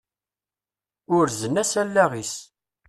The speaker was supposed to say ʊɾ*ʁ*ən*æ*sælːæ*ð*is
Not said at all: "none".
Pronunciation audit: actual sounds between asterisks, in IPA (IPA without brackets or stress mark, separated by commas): z, æ, ʁ